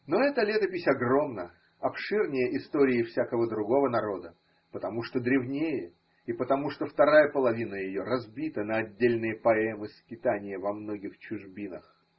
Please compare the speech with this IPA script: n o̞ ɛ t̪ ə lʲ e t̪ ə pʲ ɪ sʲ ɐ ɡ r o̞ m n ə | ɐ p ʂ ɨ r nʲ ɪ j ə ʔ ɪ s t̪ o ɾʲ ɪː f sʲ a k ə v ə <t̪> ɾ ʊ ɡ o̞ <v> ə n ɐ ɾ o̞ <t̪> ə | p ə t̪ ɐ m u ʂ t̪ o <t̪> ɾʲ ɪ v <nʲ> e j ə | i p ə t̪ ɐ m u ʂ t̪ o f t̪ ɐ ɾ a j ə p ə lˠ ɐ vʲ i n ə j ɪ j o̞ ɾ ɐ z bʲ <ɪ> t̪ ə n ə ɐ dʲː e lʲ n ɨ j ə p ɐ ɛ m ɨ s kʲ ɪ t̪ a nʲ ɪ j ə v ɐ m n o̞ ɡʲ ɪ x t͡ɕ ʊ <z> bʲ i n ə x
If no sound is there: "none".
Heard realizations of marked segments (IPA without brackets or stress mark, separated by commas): d̪, v, d̪, d̪, nʲ, i, ʐ